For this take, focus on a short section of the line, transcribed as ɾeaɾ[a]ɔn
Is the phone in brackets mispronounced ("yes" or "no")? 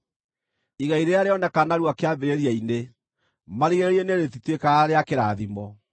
yes